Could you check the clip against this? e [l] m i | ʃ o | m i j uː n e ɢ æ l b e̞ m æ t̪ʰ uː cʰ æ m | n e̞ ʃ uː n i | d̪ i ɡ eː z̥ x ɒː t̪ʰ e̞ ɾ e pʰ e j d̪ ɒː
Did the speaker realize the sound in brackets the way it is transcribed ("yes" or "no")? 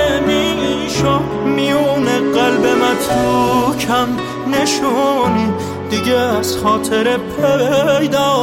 no